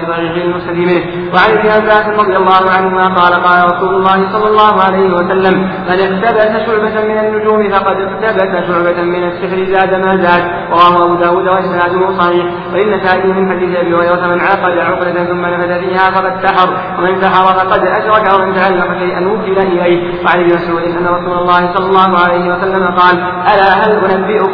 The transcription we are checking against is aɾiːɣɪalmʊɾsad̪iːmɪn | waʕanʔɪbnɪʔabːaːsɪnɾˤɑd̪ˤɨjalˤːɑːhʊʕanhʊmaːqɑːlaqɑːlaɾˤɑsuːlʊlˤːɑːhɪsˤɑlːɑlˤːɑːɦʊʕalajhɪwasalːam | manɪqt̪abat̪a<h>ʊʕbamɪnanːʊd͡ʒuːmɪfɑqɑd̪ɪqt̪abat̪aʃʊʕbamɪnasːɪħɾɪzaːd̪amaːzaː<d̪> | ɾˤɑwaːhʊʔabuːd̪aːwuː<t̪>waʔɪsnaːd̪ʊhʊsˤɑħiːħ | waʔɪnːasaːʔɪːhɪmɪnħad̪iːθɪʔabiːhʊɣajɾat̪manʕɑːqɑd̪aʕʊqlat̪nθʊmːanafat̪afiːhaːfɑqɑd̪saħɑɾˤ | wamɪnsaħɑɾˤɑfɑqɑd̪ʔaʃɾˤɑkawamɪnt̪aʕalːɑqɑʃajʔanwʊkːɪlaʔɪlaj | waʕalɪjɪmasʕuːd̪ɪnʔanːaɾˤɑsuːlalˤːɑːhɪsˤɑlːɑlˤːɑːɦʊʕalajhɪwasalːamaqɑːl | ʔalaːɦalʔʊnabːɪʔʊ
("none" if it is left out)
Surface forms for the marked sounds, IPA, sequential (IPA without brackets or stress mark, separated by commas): ʃ, d̪, d̪